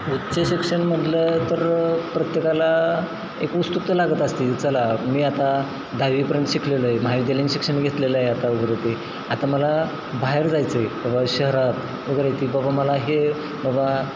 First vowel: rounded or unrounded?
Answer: rounded